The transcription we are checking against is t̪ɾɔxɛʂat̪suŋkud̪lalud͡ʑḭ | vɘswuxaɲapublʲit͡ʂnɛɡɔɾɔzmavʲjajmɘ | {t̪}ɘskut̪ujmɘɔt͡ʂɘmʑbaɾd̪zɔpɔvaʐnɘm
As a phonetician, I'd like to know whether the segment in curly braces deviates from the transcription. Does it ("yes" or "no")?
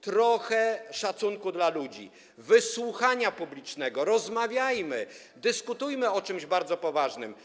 yes